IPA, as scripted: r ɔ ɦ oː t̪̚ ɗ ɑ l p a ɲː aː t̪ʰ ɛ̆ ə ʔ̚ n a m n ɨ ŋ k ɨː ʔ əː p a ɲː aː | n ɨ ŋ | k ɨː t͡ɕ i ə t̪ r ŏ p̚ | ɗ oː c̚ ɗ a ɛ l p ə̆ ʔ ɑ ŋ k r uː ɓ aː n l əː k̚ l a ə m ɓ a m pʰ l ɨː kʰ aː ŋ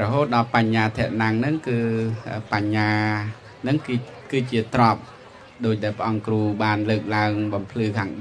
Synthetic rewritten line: r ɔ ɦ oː t̪̚ ɗ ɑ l p a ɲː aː t̪ʰ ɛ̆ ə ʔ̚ n a ŋ n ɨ ŋ k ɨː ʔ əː p a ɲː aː | n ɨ ŋ | k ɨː t͡ɕ i ə t̪ r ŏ p̚ | ɗ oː c̚ ɗ a ɛ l p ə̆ ʔ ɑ ŋ k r uː ɓ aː n l əː k̚ l a ə ŋ ɓ ɑ m pʰ l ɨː kʰ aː ŋ